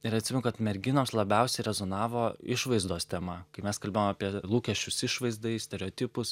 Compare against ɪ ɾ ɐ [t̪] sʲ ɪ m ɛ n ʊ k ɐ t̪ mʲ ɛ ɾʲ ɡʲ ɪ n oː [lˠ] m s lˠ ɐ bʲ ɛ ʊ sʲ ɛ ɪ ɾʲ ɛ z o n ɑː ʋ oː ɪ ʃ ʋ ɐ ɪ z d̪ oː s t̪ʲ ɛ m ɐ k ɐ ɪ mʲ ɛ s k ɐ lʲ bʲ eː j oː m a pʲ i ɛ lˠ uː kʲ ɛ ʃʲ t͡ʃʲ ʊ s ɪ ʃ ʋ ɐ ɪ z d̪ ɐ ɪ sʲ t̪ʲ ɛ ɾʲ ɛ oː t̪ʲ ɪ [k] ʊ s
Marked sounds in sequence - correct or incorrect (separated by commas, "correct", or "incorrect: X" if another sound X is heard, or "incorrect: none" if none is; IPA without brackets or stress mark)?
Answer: correct, incorrect: none, incorrect: p